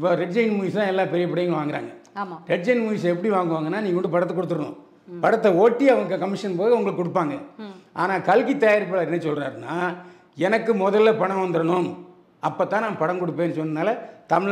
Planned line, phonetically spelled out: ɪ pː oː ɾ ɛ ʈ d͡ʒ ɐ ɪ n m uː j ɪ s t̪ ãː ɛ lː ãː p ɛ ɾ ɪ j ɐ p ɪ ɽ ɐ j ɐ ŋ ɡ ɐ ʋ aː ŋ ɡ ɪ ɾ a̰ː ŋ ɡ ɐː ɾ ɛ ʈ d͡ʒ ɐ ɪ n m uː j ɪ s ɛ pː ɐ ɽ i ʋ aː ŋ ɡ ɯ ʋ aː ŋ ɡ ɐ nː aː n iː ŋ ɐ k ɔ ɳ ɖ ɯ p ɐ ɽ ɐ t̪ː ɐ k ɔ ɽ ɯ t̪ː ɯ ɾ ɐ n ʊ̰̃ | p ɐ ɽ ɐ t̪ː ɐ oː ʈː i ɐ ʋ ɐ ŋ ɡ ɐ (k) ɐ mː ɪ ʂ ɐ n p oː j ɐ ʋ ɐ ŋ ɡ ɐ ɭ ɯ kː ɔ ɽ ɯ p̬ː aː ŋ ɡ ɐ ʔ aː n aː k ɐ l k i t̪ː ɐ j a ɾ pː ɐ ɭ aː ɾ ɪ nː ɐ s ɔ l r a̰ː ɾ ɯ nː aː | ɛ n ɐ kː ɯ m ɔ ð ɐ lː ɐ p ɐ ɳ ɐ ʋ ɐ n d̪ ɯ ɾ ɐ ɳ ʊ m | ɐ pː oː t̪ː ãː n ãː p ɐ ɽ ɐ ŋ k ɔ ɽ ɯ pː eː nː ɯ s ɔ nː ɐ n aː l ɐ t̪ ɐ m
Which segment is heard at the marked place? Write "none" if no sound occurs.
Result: k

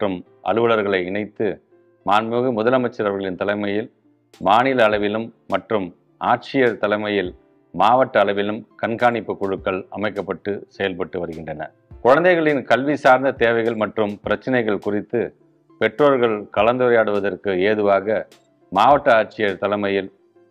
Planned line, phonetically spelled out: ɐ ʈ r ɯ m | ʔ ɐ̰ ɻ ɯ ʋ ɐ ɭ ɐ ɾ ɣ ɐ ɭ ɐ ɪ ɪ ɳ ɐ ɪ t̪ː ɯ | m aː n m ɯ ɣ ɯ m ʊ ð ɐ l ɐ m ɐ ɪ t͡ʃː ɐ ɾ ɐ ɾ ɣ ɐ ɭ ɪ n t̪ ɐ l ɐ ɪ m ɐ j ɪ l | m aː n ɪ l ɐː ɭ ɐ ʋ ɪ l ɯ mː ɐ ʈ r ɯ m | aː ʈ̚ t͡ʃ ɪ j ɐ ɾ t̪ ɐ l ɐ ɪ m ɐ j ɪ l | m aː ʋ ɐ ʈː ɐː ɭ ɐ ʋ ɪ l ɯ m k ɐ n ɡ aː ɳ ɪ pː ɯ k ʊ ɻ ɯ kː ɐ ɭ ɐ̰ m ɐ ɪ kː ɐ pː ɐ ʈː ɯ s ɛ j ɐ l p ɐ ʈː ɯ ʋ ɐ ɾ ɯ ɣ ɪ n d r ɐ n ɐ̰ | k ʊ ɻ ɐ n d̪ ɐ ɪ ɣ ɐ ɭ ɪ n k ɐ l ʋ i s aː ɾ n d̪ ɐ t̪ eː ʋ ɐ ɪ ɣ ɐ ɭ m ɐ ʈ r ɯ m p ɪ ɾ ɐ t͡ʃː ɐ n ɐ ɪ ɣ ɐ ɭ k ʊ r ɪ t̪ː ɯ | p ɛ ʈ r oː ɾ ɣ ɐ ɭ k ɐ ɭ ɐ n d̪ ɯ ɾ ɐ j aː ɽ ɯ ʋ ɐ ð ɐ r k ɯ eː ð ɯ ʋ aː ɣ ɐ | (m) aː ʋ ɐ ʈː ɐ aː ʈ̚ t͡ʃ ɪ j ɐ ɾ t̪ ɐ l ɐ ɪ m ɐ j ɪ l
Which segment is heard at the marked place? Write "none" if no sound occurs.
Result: m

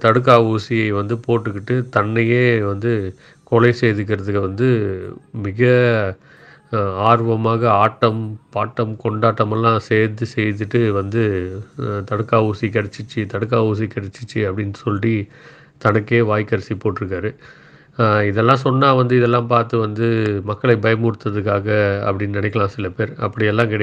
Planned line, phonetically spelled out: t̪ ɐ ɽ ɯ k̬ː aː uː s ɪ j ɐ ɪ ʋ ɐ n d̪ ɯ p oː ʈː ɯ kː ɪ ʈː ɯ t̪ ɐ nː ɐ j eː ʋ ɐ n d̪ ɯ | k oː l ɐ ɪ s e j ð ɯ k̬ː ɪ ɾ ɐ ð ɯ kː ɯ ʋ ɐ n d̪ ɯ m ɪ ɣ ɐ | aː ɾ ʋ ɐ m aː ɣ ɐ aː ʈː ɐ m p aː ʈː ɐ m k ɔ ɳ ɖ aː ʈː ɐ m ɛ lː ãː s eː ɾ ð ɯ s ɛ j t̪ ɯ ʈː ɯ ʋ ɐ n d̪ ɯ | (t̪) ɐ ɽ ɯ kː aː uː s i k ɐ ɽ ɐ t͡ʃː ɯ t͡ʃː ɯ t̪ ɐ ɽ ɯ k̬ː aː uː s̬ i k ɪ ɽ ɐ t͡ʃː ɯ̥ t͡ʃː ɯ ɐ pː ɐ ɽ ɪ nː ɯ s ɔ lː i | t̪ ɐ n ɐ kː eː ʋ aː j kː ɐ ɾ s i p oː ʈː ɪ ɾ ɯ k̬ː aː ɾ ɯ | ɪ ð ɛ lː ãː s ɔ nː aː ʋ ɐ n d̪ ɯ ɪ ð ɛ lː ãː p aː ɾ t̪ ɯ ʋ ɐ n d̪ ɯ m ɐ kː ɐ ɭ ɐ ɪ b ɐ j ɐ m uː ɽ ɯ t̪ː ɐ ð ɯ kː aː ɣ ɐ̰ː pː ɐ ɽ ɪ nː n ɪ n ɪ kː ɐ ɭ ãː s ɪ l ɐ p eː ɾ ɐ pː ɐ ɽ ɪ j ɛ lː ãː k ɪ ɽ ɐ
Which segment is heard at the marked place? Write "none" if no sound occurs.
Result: t̪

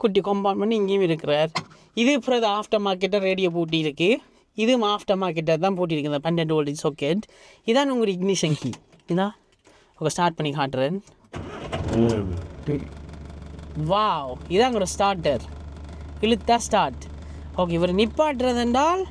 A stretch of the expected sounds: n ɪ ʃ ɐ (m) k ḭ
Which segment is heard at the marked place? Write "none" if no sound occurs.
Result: ŋ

